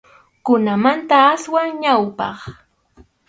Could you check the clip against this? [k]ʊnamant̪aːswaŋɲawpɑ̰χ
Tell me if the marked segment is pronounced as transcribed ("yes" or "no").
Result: yes